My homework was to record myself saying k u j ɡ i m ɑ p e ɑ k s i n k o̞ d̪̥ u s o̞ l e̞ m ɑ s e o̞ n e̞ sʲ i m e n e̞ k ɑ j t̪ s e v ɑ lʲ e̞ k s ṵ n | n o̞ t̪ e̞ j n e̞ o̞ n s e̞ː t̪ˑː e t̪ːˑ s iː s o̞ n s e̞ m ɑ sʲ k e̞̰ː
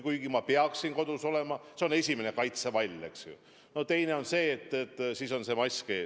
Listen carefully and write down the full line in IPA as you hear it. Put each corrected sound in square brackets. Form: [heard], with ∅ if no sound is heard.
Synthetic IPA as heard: k u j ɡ i m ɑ p e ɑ k s i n k o̞ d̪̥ u s o̞ l e̞ m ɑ s e o̞ n e̞ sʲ i m e n e̞ k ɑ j t̪ s e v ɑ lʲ e̞ k s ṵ [∅] | n o̞ t̪ e̞ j n e̞ o̞ n s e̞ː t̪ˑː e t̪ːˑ s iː s o̞ n s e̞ m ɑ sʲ k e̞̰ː